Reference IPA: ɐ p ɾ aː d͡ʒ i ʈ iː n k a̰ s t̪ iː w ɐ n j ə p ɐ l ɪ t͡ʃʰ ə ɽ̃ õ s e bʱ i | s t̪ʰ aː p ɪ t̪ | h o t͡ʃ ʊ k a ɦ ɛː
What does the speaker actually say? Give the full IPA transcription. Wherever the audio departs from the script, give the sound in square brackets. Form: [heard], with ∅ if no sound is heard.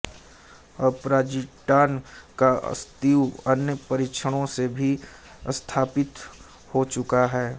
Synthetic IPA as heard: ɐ p ɾ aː d͡ʒ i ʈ [aː] n k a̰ s t̪ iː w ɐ n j ə p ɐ [ɾ] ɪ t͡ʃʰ ə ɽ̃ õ s e bʱ i | s t̪ʰ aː p ɪ t̪ | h o t͡ʃ ʊ k a ɦ ɛː